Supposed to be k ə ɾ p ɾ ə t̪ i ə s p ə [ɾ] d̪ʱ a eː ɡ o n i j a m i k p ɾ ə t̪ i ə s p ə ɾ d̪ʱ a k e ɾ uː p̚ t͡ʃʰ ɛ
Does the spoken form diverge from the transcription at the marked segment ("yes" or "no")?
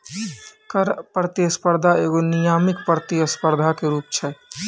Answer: no